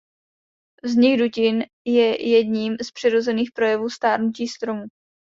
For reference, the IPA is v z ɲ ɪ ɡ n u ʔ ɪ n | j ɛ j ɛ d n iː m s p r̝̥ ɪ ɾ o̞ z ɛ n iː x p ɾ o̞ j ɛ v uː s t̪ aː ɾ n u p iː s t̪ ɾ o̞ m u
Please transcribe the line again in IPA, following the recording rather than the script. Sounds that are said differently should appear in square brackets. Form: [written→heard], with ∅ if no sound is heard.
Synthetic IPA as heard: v z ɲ ɪ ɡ [n→d] u [ʔ→c] ɪ n | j ɛ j ɛ d [n→ɲ] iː m s p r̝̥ ɪ ɾ o̞ z ɛ n iː x p ɾ o̞ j ɛ v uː s t̪ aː ɾ n u [p→c] iː s t̪ ɾ o̞ m u